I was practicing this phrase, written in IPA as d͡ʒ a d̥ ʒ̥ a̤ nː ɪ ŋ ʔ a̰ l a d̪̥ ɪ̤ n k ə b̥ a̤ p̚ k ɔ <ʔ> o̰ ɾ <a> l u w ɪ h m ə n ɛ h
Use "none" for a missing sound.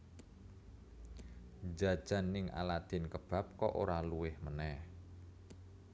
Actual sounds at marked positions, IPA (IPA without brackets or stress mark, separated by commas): ʔ, a